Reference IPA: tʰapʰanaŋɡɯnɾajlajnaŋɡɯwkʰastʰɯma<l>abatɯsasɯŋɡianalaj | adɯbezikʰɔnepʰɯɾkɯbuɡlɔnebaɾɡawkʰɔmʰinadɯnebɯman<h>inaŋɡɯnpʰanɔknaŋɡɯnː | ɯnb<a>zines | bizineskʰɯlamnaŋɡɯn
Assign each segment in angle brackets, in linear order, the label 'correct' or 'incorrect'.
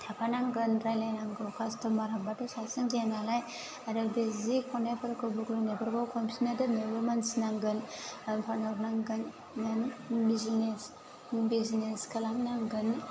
incorrect, incorrect, incorrect

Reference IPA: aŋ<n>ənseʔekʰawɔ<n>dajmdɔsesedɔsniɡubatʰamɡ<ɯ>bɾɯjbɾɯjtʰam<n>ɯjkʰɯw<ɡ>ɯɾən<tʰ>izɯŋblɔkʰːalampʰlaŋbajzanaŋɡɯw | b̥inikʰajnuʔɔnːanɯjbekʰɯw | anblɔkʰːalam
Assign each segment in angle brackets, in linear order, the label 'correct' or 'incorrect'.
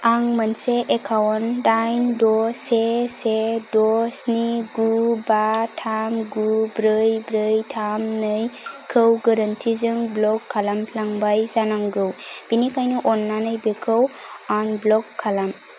incorrect, correct, incorrect, correct, correct, correct

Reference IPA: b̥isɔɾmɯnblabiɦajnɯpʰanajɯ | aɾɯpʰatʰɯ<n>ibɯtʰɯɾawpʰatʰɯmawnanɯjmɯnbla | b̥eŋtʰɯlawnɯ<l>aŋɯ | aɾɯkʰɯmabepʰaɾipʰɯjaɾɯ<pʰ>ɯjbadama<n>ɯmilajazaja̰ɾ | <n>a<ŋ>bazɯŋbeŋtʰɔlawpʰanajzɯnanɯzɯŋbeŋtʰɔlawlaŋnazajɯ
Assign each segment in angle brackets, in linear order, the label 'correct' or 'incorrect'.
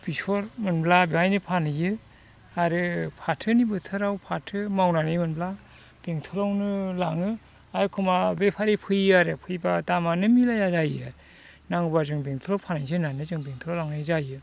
correct, correct, correct, correct, correct, correct

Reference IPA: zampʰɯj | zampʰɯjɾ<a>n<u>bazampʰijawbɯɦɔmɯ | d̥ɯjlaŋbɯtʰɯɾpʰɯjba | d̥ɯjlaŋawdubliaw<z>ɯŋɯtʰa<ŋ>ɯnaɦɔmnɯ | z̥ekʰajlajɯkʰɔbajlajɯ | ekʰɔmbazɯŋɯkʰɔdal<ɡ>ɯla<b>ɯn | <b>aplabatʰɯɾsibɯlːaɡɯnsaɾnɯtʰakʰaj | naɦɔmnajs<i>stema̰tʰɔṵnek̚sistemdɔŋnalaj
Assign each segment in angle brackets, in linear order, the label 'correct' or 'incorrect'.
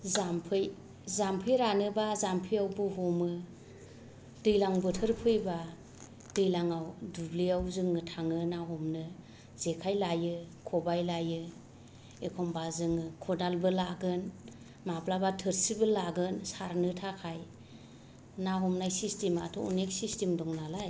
correct, incorrect, correct, correct, incorrect, incorrect, incorrect, correct

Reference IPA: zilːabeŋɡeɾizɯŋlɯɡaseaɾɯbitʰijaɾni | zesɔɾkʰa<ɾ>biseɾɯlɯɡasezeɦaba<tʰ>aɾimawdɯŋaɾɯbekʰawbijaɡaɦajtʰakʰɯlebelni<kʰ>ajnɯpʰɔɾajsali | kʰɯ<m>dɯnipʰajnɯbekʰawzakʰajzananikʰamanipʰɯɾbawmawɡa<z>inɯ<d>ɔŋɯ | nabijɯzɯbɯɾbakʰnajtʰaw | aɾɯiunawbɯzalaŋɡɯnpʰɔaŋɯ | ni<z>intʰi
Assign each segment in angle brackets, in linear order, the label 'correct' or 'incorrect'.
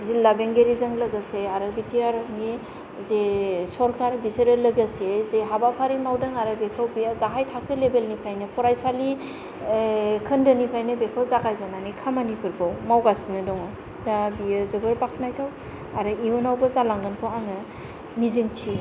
correct, incorrect, incorrect, incorrect, incorrect, correct, correct

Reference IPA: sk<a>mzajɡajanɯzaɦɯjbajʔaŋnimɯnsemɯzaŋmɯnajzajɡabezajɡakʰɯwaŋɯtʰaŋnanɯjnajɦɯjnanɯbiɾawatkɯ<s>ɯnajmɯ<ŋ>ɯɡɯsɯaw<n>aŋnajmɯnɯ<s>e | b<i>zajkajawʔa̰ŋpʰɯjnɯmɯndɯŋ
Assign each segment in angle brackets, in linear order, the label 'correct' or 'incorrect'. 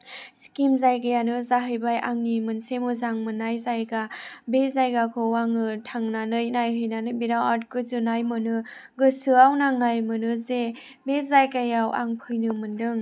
incorrect, incorrect, incorrect, correct, incorrect, incorrect

